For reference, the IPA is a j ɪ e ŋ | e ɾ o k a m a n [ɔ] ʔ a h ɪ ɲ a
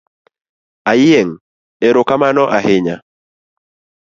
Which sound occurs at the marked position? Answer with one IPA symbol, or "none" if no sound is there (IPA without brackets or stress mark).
ɔ